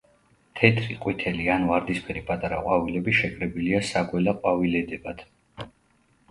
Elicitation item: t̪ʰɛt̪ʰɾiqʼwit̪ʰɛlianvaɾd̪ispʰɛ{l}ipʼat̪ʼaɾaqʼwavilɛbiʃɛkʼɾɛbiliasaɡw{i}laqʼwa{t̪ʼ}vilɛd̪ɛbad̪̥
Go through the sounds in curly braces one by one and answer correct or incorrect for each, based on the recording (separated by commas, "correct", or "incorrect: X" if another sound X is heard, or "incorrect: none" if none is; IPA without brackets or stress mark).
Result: incorrect: ɾ, incorrect: ɛ, incorrect: none